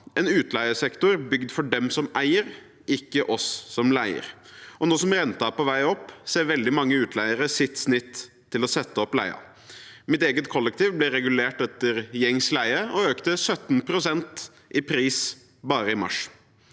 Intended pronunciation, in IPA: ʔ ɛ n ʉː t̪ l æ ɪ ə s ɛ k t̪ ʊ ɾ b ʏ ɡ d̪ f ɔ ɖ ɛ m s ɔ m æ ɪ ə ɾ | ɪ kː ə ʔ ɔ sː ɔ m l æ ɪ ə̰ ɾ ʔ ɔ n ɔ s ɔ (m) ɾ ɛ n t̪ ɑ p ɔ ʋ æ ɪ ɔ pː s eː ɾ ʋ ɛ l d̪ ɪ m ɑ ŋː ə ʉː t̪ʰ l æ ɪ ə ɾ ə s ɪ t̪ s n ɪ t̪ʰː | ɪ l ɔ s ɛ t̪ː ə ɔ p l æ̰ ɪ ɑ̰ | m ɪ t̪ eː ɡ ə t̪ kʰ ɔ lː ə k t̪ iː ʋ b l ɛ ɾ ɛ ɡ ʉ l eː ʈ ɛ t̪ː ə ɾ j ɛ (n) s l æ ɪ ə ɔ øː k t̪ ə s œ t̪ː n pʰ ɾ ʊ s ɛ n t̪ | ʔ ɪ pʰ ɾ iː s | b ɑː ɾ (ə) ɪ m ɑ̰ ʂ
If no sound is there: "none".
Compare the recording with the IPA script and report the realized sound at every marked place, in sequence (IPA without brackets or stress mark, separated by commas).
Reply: m, ŋ, ə